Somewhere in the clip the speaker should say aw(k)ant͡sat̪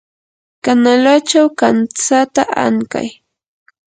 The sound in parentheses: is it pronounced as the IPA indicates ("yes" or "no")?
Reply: yes